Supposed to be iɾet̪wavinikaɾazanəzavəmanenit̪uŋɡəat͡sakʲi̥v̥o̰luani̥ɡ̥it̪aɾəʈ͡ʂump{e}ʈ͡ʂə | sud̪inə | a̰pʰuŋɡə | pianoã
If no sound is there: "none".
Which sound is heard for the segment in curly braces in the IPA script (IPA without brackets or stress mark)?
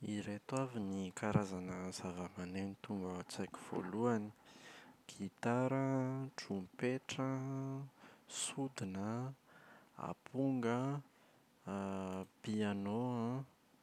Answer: e